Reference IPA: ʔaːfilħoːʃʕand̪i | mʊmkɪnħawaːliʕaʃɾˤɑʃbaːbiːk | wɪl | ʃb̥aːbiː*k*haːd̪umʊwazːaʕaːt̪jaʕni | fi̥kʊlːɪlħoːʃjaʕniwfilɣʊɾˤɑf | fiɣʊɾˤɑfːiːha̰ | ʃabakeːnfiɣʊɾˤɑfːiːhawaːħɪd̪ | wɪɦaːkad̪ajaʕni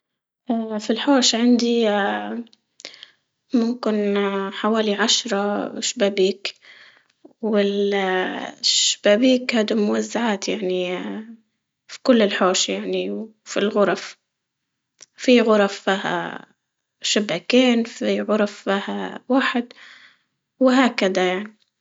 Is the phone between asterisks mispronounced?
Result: no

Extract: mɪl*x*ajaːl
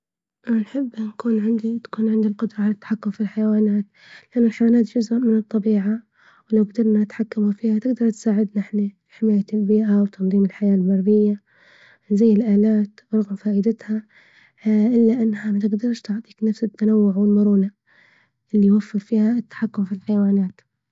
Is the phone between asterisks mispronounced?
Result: yes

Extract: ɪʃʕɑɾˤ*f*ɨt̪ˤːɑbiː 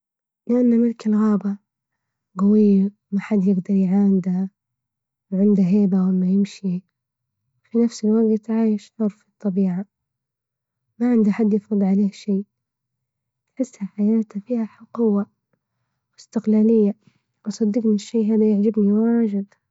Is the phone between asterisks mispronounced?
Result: no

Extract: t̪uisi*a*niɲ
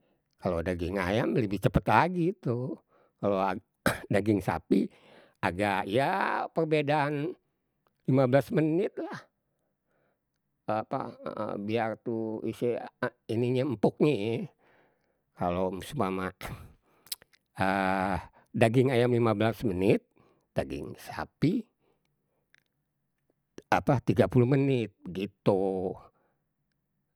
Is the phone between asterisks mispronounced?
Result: yes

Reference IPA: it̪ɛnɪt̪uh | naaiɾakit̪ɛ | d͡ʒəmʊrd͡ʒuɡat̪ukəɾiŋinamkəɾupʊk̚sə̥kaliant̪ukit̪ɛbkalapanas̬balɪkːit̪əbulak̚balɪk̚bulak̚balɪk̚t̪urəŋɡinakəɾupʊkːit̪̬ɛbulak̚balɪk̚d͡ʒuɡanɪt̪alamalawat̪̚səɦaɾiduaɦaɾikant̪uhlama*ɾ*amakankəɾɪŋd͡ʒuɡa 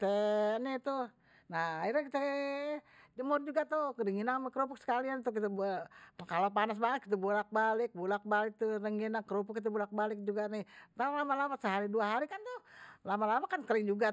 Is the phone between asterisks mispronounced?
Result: yes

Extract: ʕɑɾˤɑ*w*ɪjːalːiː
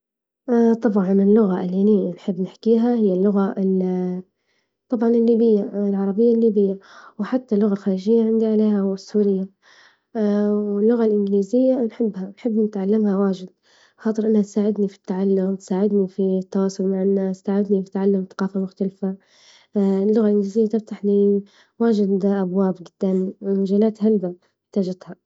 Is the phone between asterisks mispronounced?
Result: yes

